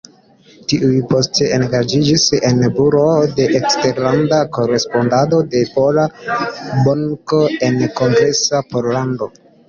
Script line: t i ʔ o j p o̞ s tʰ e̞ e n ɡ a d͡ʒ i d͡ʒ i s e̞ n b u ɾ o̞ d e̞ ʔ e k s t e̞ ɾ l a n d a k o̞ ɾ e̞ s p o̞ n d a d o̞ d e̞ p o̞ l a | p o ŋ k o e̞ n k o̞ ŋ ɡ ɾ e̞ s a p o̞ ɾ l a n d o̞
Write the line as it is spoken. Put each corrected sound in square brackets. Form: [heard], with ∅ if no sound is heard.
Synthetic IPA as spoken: t i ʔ [u] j p o̞ s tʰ e̞ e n ɡ a d͡ʒ i d͡ʒ i s e̞ n b u ɾ o̞ d e̞ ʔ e k s t e̞ ɾ l a n d a k o̞ ɾ e̞ s p o̞ n d a d o̞ d e̞ p o̞ l a | [b] o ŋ k o e̞ n k o̞ ŋ ɡ ɾ e̞ s a p o̞ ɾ l a n d o̞